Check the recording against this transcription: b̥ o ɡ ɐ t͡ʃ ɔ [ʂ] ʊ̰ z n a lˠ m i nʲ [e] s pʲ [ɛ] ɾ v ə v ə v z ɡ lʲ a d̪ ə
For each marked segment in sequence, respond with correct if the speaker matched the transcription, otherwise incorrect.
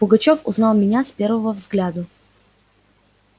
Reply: incorrect, incorrect, correct

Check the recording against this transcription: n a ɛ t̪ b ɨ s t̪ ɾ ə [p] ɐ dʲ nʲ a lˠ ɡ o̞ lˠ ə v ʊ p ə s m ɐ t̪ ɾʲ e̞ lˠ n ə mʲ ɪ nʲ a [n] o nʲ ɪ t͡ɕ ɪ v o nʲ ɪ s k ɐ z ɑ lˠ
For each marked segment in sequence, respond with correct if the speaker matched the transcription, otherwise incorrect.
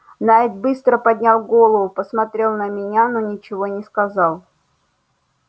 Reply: correct, correct

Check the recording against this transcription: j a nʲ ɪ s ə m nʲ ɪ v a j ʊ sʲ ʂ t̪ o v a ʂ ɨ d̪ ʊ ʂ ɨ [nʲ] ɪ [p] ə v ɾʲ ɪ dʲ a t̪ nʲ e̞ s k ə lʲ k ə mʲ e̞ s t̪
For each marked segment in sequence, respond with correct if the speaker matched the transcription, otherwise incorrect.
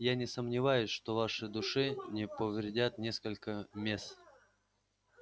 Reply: correct, correct

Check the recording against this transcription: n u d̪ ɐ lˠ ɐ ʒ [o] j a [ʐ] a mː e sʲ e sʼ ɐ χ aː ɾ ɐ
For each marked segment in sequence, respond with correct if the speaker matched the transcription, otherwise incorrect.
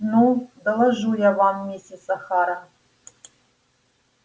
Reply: incorrect, incorrect

